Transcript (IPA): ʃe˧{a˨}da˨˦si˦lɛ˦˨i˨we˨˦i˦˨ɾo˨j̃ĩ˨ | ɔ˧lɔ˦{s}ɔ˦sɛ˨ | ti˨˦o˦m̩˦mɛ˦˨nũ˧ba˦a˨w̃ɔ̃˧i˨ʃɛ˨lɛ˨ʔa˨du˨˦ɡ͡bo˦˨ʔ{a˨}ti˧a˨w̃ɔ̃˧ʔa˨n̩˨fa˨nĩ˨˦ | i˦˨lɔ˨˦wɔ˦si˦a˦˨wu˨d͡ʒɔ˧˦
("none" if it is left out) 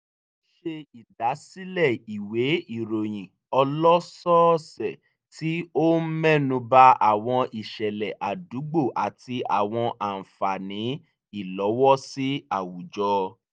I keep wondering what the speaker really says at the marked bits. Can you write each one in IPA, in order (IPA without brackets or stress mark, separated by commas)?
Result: i˨, s, a˨